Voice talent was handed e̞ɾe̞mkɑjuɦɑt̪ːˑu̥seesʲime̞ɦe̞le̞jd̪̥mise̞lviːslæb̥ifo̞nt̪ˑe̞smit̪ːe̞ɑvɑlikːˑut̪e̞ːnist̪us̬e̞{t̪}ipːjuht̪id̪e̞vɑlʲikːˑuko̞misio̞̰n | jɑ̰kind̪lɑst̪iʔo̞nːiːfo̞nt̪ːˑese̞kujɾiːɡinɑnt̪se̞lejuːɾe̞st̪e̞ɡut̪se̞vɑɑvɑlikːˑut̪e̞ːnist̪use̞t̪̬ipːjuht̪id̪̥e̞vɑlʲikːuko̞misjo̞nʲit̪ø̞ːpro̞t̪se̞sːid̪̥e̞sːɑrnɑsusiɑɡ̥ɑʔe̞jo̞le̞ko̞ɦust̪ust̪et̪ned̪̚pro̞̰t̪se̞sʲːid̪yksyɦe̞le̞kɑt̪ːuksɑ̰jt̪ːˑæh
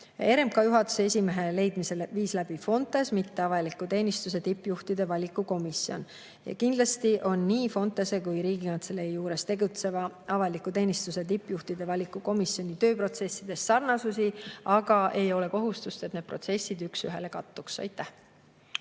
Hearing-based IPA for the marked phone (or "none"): t̪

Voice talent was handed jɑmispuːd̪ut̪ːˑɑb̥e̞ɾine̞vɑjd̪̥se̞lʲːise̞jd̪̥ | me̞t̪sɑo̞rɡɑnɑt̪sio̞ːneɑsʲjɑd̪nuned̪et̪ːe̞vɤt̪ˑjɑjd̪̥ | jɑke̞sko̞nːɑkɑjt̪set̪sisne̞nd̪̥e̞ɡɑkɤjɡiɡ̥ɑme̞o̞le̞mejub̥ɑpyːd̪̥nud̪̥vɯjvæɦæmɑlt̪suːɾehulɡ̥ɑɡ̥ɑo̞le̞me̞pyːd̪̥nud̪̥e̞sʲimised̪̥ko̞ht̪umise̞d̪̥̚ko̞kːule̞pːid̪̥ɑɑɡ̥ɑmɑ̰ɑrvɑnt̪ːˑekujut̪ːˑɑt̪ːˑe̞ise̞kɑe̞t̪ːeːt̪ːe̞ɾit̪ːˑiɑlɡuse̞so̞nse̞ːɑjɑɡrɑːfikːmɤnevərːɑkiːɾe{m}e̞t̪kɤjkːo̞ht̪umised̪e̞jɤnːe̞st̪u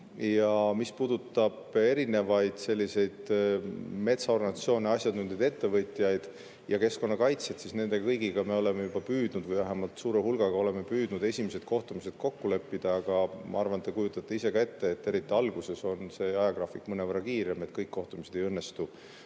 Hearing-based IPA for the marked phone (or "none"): m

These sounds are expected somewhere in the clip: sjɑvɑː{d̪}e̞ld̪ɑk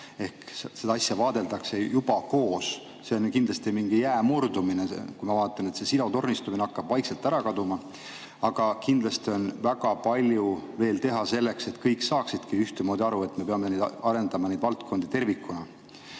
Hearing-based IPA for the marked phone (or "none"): d̪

